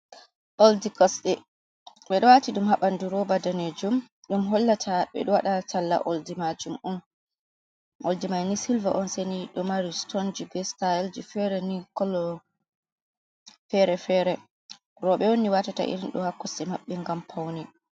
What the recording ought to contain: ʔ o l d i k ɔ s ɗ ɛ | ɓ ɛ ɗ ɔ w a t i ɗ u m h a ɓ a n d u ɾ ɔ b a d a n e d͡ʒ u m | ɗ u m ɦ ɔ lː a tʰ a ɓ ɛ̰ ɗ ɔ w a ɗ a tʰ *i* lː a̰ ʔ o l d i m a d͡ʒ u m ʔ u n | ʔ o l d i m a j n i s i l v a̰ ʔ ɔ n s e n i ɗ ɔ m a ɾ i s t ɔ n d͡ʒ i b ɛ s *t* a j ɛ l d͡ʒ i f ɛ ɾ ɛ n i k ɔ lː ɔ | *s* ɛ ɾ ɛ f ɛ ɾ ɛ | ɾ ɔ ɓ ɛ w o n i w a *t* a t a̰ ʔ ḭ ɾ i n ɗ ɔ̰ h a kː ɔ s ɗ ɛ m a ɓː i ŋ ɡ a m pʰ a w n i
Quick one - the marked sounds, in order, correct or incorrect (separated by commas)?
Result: incorrect, correct, incorrect, correct